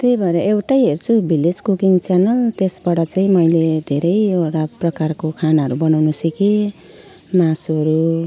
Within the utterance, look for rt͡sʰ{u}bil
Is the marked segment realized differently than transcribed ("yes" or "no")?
no